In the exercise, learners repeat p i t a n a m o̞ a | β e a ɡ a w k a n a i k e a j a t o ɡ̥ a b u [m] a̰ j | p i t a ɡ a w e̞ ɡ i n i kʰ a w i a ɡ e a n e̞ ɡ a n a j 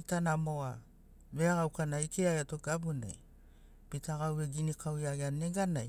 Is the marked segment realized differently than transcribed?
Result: yes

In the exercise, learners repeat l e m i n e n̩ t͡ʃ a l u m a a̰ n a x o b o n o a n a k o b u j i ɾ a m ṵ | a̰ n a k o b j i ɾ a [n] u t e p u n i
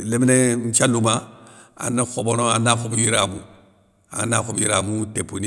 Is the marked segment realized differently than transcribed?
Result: yes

